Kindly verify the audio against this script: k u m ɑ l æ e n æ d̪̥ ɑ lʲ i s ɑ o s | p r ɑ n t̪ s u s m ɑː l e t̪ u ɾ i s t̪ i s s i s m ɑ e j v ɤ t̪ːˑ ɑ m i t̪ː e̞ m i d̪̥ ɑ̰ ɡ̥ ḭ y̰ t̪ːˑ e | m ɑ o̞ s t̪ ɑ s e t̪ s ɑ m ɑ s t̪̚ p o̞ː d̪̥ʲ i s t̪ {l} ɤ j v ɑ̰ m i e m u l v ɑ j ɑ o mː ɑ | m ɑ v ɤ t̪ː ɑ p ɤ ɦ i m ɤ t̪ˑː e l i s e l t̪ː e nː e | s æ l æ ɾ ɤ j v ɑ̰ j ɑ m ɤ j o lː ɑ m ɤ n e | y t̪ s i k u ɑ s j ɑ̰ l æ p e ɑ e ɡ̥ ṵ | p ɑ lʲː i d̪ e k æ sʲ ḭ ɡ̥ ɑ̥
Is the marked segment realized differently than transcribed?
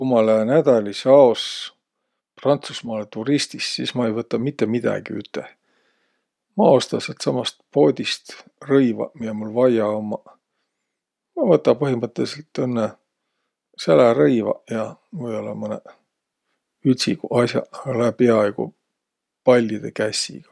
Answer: yes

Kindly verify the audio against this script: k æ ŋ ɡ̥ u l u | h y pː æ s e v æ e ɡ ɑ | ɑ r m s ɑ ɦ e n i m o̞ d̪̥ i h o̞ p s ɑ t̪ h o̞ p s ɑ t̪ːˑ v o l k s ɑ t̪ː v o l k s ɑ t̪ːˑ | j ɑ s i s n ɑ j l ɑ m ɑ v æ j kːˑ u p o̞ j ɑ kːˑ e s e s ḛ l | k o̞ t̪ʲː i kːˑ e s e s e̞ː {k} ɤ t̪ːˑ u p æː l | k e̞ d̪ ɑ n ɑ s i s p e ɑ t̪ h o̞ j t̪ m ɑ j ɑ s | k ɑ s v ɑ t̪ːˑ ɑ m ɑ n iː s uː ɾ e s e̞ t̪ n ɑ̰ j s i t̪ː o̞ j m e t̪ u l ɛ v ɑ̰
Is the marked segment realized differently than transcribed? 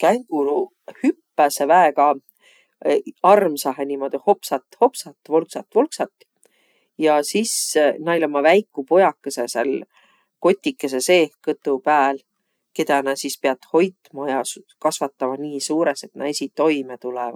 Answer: no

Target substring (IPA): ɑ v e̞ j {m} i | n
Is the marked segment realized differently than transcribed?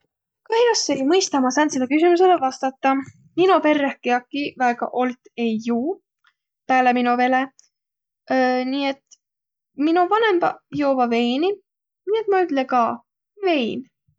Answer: yes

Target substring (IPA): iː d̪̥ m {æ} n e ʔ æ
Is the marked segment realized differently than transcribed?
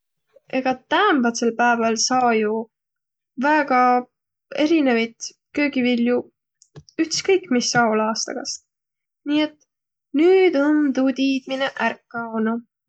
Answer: yes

